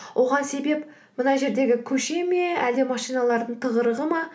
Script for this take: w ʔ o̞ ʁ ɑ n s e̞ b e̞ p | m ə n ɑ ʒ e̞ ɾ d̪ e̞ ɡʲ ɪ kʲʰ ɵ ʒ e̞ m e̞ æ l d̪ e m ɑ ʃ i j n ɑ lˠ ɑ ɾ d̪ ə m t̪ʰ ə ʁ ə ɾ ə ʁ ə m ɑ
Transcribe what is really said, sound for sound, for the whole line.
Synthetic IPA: w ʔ o̞ ʁ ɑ n s e̞ b e̞ p | m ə n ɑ ʒ e̞ ɾ d̪ e̞ ɡʲ ɪ kʲʰ ɵ ʃ e̞ m e̞ æ l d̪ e m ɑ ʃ i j n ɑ lˠ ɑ ɾ d̪ ə ɴ t̪ʰ ə ʁ ə ɾ ə ʁ ə m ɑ